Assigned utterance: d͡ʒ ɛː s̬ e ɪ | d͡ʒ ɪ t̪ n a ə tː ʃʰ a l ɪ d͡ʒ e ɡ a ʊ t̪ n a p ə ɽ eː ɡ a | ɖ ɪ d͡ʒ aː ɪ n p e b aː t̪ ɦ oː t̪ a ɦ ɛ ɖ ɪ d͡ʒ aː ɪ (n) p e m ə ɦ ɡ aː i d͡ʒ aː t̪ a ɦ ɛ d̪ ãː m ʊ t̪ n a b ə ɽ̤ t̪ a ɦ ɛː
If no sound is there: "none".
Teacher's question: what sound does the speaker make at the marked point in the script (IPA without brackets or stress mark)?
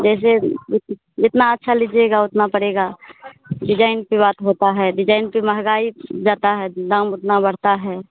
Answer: n